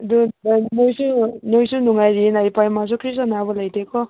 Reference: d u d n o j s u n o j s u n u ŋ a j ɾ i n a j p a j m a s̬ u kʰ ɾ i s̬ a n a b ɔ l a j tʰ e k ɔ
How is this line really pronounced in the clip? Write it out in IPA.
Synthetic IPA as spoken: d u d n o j s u n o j s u n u ŋ a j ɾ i n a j p a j m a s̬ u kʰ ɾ i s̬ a n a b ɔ l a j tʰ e k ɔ